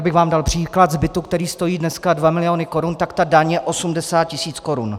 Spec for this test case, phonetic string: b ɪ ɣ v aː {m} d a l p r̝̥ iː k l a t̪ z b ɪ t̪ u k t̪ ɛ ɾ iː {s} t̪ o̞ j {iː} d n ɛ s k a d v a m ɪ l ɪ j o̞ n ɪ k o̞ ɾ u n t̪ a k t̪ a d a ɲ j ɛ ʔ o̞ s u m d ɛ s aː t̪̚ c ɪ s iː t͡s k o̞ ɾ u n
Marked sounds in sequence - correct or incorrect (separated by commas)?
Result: correct, correct, correct